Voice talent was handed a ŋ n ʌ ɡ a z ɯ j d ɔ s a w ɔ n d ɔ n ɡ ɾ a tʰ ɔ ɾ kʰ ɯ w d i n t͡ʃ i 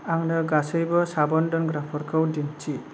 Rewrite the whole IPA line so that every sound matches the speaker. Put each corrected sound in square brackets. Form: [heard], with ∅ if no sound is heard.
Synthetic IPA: a ŋ n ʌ ɡ a [s] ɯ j [b] ɔ s a [b] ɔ n d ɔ n ɡ ɾ a [pʰ] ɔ ɾ kʰ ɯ w d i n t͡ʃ i